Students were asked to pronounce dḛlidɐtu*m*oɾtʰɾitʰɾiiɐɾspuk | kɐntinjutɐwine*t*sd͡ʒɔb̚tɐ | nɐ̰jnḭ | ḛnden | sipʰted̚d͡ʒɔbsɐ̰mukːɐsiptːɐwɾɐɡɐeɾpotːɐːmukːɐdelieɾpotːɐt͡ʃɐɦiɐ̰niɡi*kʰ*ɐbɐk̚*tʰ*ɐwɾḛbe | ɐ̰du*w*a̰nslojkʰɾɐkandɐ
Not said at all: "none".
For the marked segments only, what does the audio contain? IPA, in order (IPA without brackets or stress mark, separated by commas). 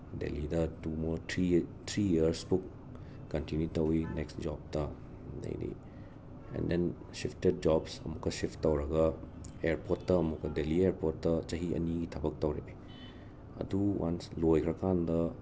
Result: m, k, tʰ, t, w